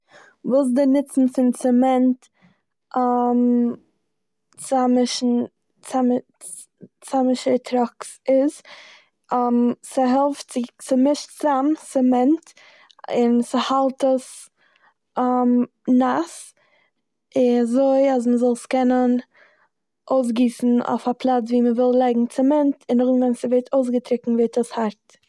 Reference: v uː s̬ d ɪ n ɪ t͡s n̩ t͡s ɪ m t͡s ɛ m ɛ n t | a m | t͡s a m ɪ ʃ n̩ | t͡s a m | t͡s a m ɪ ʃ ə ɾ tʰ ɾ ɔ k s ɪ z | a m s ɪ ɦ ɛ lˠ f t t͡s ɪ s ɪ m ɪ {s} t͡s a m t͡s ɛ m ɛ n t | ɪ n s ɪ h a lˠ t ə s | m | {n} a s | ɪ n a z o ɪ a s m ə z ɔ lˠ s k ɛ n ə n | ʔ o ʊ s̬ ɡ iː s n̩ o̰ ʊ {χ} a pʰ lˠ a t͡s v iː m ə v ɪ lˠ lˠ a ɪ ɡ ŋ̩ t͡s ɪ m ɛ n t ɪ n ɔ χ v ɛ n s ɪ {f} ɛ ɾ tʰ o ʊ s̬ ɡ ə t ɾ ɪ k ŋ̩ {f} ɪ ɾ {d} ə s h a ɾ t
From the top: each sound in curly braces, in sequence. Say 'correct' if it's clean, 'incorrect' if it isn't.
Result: incorrect: ʃ, correct, incorrect: f, incorrect: v, incorrect: v, incorrect: t

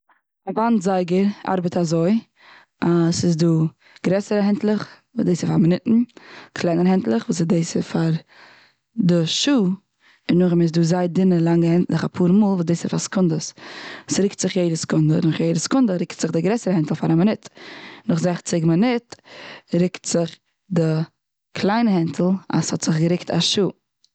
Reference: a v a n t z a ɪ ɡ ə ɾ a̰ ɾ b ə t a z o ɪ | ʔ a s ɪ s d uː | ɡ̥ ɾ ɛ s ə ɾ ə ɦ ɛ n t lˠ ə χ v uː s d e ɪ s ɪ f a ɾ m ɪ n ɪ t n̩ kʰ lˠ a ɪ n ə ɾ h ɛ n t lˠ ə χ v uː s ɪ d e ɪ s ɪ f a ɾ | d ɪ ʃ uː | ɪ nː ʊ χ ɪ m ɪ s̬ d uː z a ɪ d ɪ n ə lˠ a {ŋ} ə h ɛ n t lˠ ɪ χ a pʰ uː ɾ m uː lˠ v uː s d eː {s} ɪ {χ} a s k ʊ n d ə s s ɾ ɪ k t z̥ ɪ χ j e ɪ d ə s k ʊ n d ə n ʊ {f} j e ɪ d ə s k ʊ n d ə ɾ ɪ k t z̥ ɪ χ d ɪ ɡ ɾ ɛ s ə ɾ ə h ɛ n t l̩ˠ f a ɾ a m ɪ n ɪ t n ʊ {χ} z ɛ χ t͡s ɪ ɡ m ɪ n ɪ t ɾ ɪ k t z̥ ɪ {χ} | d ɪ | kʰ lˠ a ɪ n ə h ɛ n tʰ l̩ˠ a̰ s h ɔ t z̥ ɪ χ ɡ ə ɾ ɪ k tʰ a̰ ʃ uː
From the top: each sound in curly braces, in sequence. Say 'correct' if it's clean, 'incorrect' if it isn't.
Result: correct, correct, incorrect: f, incorrect: χ, correct, correct

